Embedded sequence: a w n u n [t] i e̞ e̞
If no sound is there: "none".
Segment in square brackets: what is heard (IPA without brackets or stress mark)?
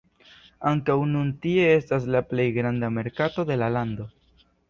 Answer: t